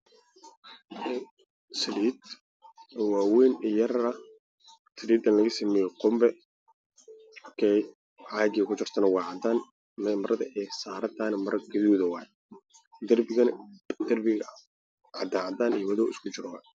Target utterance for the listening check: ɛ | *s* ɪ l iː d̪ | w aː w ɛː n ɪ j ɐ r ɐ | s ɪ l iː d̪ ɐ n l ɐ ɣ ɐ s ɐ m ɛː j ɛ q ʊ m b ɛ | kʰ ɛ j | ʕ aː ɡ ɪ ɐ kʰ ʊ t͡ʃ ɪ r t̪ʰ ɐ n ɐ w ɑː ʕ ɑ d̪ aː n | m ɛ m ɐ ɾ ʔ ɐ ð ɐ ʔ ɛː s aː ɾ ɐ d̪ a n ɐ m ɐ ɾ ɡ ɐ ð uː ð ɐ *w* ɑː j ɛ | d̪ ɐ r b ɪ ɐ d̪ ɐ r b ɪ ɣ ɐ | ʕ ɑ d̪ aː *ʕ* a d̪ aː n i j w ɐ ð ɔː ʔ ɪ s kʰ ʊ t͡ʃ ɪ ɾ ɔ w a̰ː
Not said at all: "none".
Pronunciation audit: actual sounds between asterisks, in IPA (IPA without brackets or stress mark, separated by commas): s, w, ʕ